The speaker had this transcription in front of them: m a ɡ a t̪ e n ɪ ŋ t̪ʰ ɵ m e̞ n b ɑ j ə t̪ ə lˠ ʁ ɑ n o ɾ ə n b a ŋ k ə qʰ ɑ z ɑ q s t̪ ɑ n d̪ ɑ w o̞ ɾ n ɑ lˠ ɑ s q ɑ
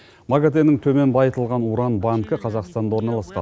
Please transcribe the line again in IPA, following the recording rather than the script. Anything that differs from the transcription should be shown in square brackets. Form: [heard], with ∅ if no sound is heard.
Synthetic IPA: m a ɡ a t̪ e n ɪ ŋ t̪ʰ ɵ m e̞ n b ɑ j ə t̪ ə lˠ ʁ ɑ n [u] ɾ [ɑ] n b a ŋ k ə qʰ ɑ z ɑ q s t̪ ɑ n d̪ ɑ w o̞ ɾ n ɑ lˠ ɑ s q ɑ